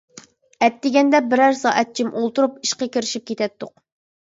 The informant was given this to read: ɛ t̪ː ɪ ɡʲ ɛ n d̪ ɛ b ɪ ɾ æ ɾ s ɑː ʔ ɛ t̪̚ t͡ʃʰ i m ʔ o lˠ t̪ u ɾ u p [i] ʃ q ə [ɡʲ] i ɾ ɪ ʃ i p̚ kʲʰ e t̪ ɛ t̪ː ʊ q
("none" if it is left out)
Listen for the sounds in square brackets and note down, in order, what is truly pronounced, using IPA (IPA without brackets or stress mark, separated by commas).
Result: i, kʲ